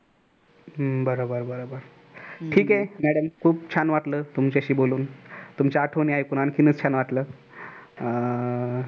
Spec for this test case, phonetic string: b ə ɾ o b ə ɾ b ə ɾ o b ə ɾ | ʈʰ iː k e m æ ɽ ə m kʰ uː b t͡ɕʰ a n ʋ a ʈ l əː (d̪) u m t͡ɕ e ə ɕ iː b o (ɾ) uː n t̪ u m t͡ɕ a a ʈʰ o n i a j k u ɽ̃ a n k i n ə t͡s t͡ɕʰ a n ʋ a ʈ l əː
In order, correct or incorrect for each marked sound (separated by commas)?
incorrect, incorrect